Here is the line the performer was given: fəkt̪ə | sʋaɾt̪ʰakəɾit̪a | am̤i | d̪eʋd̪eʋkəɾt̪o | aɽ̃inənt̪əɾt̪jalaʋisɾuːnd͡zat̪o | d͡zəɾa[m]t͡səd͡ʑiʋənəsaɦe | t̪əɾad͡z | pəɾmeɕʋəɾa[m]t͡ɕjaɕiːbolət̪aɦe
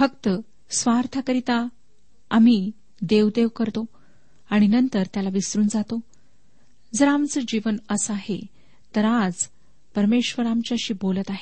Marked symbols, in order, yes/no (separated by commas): yes, yes